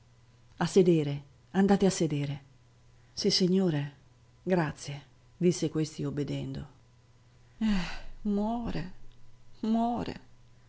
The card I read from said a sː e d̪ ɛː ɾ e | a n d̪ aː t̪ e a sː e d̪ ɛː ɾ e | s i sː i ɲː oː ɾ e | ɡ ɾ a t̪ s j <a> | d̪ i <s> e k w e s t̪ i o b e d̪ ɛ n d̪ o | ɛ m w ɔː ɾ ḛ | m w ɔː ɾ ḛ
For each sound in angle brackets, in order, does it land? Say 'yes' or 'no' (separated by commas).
no, no